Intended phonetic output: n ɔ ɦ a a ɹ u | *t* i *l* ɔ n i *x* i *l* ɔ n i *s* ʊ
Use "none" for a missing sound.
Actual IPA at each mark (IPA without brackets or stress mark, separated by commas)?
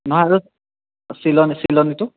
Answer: s, l, s, l, t